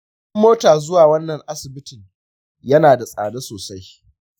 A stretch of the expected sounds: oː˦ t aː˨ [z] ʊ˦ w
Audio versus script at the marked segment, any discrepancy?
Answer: no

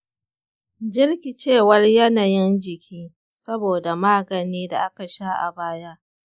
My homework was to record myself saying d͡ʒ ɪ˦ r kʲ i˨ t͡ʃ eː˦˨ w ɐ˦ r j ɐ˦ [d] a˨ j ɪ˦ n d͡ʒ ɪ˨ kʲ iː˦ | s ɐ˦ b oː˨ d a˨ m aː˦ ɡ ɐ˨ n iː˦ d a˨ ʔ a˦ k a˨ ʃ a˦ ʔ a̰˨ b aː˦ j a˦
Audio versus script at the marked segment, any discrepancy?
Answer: yes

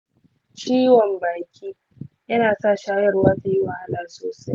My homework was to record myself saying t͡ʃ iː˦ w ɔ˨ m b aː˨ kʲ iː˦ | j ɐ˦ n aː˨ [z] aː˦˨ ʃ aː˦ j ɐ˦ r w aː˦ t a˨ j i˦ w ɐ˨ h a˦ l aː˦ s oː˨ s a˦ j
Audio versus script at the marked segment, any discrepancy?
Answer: yes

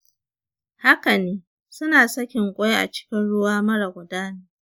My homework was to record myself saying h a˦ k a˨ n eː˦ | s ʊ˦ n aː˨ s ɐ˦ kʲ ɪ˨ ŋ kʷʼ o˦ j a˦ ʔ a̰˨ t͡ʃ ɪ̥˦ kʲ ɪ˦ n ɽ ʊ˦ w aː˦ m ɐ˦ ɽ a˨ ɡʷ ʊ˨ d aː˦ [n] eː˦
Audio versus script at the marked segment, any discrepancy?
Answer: no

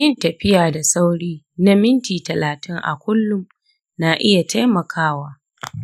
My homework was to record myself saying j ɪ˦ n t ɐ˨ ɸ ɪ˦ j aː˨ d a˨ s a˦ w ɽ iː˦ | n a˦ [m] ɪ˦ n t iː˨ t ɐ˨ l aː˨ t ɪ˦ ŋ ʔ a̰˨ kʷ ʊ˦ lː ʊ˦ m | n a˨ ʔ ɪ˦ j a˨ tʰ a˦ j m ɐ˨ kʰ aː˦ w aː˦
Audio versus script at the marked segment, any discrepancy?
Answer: no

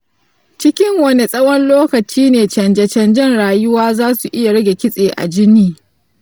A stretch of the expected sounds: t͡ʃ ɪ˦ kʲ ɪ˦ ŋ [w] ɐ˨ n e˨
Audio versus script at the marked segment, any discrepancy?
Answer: no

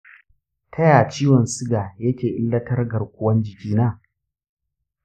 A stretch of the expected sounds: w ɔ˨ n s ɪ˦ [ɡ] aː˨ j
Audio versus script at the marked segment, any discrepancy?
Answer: no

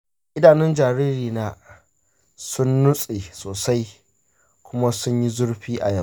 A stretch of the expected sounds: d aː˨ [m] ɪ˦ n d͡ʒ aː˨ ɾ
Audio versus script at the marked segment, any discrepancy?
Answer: yes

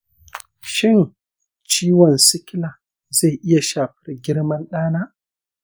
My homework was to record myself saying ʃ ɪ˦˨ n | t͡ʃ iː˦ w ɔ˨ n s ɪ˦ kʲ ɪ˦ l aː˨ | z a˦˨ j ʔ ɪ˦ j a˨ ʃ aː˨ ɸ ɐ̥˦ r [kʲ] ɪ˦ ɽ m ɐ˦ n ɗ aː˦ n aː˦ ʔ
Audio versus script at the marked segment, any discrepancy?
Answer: yes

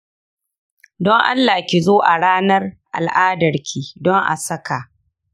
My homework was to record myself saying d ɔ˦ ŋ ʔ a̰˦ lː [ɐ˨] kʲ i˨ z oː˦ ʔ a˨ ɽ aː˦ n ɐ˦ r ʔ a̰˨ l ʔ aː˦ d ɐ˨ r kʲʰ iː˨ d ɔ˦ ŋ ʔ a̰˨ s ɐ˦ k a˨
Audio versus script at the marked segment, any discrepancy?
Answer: yes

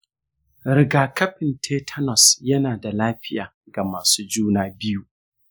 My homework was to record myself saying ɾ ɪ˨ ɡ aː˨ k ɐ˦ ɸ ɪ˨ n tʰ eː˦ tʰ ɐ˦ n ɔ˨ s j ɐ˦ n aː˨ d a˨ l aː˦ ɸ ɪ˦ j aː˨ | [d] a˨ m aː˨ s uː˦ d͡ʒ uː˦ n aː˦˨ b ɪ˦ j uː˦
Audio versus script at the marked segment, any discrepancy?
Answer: yes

